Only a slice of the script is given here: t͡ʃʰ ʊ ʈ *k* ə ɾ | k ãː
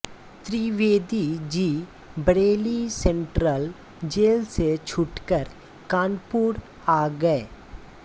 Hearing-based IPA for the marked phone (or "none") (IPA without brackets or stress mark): k